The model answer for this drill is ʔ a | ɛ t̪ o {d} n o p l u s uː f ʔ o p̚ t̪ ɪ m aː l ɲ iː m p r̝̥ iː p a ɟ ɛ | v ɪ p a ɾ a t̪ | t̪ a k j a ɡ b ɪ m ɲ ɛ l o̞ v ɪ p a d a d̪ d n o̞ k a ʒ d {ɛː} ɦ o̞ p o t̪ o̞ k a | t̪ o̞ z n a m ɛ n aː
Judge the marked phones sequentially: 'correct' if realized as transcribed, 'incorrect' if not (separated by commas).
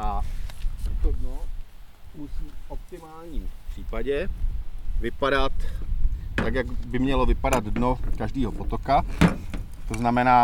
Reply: correct, incorrect